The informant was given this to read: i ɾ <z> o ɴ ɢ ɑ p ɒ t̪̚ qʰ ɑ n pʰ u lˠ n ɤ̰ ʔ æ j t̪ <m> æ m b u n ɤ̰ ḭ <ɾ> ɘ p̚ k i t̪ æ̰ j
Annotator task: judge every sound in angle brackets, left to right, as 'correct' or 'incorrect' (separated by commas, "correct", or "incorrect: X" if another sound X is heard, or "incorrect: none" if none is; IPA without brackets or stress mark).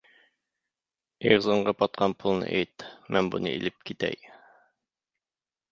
correct, correct, incorrect: l